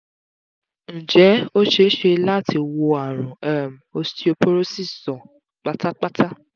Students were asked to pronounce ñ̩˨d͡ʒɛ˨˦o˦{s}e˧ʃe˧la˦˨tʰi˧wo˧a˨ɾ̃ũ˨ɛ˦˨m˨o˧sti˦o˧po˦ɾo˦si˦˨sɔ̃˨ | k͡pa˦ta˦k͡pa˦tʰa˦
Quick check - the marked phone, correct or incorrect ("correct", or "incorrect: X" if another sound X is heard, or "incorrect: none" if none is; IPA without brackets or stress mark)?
incorrect: ʃ